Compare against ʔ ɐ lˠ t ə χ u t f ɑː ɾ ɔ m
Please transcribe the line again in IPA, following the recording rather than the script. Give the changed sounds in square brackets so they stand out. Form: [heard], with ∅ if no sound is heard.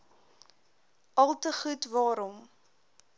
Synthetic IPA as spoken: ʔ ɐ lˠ t ə χ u t [v] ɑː ɾ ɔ m